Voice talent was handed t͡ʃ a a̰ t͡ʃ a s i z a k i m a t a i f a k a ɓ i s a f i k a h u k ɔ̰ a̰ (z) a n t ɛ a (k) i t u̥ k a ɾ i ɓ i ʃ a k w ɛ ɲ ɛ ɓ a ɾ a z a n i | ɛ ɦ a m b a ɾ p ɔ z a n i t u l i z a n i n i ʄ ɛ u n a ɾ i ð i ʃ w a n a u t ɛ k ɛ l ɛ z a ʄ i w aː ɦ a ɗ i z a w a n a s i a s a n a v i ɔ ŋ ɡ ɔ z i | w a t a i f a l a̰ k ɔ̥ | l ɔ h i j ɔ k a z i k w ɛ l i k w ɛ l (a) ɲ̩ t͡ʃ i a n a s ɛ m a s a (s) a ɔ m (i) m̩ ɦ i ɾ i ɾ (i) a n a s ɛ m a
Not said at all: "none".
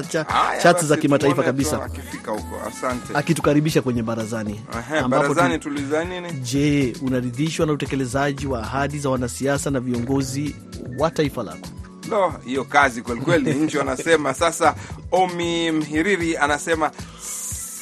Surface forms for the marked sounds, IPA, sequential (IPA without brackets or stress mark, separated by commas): s, k, i, s, i, i